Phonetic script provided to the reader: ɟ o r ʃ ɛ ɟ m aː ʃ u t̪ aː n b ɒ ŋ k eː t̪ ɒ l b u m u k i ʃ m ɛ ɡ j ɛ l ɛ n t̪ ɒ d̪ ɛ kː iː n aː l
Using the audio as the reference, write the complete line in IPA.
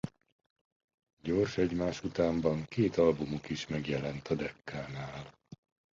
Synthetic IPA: ɟ o r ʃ ɛ ɟ m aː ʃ u t̪ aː m b ɒ ŋ k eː t̪ ɒ l b u m u k i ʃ m ɛ ɡ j ɛ l ɛ n t̪ ɒ d̪ ɛ kː aː n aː l